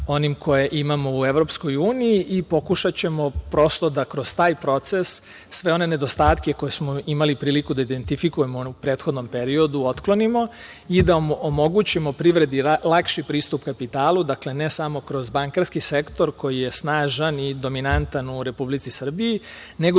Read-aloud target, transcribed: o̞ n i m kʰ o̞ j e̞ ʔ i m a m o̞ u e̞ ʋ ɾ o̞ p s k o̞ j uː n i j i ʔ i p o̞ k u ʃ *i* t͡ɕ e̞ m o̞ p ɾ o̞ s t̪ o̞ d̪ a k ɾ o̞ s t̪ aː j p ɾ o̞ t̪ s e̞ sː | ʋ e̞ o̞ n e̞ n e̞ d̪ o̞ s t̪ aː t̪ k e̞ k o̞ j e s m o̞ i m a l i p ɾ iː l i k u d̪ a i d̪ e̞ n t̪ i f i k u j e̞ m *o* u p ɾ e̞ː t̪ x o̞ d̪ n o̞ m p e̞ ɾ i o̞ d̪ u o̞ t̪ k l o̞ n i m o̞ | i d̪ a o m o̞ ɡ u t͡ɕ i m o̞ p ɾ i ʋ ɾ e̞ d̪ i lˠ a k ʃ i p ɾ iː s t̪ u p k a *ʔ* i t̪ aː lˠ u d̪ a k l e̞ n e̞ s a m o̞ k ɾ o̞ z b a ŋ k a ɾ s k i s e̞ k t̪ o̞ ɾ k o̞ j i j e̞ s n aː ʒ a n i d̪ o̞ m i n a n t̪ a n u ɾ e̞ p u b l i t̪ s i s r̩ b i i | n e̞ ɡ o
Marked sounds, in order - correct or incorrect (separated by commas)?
incorrect, correct, incorrect